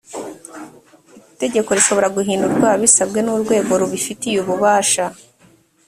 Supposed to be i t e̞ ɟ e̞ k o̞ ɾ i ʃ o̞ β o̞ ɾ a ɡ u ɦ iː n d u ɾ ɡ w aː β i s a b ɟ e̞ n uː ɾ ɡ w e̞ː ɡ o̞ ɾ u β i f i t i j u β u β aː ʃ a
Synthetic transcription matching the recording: i t e̞ ɟ e̞ k o̞ ɾ i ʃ o̞ β o̞ ɾ a ɡ u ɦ iː n d u ɾ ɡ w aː β i s a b ɡ e̞ n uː ɾ ɡ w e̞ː ɡ o̞ ɾ u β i f i t i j u β u β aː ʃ a